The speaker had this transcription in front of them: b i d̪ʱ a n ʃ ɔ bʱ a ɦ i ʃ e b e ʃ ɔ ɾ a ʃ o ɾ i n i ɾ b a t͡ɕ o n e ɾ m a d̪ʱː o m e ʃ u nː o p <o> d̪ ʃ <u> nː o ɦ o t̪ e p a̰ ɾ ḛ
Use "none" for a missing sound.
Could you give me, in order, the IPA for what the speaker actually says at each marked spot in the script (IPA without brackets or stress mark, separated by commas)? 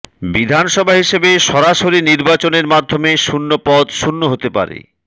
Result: ɔ, u